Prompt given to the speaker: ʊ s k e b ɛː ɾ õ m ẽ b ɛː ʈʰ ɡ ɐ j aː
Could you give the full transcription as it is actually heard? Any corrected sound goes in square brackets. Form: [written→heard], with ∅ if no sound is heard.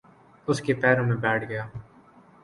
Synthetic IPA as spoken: ʊ s k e [b→p] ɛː ɾ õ m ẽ b ɛː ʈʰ ɡ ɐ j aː